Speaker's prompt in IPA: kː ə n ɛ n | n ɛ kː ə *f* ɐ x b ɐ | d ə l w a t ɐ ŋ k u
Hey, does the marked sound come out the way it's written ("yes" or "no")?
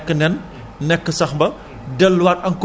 no